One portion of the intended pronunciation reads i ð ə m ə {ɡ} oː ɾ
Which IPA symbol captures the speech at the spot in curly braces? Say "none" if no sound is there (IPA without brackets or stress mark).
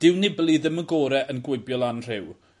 ɡ